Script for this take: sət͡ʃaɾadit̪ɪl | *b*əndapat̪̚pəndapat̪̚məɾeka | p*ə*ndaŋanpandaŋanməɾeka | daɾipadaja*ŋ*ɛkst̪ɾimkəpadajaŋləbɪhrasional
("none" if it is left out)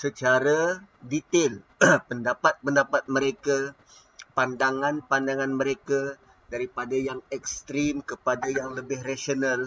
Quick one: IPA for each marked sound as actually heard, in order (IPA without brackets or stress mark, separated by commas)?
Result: p, a, ŋ